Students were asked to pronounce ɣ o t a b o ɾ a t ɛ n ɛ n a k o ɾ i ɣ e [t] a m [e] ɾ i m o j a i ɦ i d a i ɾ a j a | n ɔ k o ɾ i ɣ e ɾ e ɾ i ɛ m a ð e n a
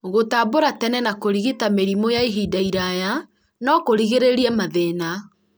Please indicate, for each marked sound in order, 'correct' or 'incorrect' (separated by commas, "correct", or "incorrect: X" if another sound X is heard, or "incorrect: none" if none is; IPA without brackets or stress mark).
correct, correct